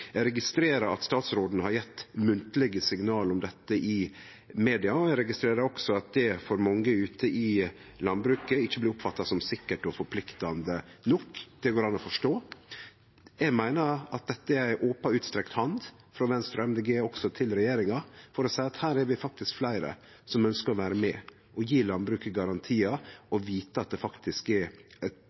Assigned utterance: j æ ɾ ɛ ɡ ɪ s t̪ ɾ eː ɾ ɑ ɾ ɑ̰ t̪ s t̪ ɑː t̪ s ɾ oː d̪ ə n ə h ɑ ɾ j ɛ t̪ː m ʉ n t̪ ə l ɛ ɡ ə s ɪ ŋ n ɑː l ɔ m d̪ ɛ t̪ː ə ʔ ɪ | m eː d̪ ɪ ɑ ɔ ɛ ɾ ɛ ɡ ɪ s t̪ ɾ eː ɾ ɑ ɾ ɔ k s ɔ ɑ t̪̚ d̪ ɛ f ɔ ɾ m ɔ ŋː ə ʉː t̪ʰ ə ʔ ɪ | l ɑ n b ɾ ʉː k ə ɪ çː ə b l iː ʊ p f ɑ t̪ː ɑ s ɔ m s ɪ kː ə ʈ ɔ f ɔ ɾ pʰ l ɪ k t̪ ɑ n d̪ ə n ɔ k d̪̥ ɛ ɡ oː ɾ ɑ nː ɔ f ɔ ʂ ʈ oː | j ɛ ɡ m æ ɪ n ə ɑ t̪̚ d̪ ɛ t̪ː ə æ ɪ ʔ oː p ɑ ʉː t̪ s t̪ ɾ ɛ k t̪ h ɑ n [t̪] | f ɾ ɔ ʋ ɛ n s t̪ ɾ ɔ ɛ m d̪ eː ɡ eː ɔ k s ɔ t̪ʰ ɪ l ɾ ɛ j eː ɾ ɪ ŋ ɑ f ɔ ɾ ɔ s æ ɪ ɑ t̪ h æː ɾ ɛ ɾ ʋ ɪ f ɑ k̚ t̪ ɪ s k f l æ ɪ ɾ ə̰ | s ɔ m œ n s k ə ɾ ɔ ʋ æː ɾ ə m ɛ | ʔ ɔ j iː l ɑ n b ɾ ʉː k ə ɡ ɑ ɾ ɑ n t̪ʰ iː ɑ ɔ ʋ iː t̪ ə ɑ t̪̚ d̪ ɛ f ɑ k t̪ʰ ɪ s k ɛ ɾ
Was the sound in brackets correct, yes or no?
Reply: no